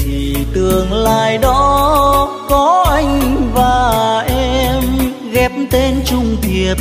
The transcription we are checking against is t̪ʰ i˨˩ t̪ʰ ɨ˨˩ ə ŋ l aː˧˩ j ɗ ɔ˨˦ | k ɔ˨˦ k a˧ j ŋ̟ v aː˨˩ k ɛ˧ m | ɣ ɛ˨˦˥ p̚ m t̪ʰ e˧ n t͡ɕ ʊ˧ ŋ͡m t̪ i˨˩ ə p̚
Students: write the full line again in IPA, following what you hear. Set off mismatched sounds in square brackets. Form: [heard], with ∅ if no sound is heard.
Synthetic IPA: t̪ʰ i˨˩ [t̪] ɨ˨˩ ə ŋ l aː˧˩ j ɗ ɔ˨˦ | k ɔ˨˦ [ʔ] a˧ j ŋ̟ v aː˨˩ [ʔ] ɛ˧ m | ɣ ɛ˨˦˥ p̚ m [t̪] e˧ n t͡ɕ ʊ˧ ŋ͡m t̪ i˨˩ ə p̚